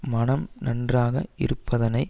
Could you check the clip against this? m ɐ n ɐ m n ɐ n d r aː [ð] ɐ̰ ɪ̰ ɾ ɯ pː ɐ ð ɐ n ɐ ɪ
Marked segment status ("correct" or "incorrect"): incorrect